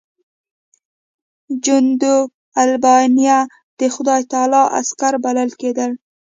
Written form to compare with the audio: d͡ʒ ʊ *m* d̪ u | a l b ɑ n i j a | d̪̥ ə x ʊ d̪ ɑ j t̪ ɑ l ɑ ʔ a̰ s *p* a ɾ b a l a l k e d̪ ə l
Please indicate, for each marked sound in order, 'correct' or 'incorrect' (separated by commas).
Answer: incorrect, incorrect